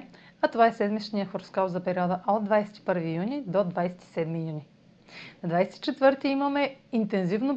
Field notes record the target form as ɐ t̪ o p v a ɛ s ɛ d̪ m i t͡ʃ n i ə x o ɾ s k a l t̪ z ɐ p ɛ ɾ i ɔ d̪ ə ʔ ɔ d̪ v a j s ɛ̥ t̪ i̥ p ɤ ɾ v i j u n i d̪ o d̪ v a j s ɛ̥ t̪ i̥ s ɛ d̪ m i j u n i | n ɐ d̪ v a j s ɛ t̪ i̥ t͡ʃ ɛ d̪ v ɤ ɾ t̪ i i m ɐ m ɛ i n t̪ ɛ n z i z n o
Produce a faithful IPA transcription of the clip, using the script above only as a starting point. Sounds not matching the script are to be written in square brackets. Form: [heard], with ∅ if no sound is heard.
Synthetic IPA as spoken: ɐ t̪ o [∅] v a ɛ s ɛ d̪ m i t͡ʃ n i ə x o ɾ s k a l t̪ z ɐ p ɛ ɾ i ɔ d̪ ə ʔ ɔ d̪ v a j s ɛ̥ t̪ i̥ p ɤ ɾ v i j u n i d̪ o d̪ v a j s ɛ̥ t̪ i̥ s ɛ d̪ m i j u n i | n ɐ d̪ v a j s ɛ t̪ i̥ t͡ʃ ɛ [t̪] v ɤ ɾ t̪ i i m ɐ m ɛ i n t̪ ɛ n z i [v] n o